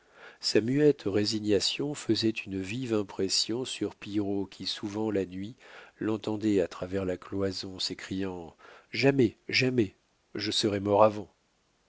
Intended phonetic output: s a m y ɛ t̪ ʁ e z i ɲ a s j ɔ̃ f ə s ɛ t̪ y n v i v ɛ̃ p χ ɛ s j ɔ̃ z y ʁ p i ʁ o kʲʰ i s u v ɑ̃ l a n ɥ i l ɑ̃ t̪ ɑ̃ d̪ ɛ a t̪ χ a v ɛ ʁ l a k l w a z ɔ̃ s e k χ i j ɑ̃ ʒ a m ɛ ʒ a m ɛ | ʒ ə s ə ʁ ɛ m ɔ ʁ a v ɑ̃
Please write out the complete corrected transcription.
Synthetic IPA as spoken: s a m y ɛ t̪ ʁ e z i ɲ a s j ɔ̃ f ə z ɛ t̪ y n v i v ɛ̃ p χ ɛ s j ɔ̃ s y ʁ p i ʁ o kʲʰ i s u v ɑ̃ l a n ɥ i l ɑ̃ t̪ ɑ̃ d̪ ɛ a t̪ χ a v ɛ ʁ l a k l w a z ɔ̃ s e k χ i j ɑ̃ ʒ a m ɛ ʒ a m ɛ | ʒ ə s ə ʁ ɛ m ɔ ʁ a v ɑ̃